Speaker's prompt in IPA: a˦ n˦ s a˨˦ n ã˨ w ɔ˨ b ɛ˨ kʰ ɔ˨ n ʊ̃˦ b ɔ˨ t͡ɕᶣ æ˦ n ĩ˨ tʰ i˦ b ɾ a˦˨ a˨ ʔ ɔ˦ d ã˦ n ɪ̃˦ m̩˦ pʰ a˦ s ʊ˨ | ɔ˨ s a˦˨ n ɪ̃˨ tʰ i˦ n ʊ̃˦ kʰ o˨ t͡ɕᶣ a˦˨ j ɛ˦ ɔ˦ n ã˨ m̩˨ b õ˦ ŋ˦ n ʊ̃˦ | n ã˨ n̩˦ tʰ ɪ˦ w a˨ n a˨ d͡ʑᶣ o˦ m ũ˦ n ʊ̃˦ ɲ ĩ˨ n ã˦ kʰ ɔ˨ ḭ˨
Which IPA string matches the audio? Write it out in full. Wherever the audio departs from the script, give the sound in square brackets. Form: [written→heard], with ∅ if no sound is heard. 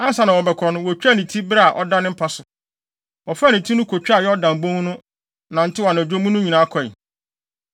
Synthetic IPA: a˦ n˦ s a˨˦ n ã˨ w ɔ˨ b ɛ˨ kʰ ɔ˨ n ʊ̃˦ [b→w] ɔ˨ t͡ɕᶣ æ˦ n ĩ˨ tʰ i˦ b ɾ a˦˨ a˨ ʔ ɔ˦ d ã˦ n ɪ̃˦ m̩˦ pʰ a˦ s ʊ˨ | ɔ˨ [s→f] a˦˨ n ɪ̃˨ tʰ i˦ n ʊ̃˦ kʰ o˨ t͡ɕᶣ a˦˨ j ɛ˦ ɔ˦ [n→d] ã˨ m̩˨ b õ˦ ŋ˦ n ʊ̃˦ | n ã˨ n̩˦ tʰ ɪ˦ w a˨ n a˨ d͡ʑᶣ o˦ m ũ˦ n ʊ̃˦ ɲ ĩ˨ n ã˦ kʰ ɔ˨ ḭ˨